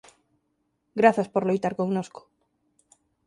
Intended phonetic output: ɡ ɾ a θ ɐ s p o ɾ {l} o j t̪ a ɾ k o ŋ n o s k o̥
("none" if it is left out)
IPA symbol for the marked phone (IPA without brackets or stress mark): l